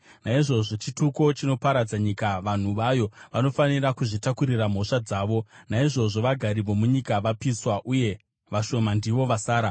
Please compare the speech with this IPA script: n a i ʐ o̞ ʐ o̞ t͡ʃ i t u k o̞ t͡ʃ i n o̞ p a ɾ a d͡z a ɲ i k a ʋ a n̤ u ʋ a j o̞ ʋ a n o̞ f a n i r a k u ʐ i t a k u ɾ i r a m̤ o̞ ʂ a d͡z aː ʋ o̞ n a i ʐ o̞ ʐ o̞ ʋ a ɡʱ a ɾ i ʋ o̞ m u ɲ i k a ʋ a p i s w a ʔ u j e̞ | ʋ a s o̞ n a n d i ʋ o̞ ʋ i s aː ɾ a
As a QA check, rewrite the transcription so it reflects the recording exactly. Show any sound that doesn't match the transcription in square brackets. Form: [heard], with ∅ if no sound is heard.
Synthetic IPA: n a i ʐ o̞ ʐ o̞ t͡ʃ i t u k o̞ t͡ʃ i n o̞ p a ɾ a d͡z a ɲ i k a ʋ a n̤ u ʋ a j o̞ ʋ a n o̞ f a n i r a k u ʐ i t a k u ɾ i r a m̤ o̞ ʂ a d͡z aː ʋ o̞ n a i ʐ o̞ ʐ o̞ ʋ a ɡʱ a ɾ i ʋ o̞ m u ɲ i k a ʋ a p i s w a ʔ u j e̞ | ʋ a [ʃ] o̞ [m] a n d i ʋ o̞ ʋ [a] s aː ɾ a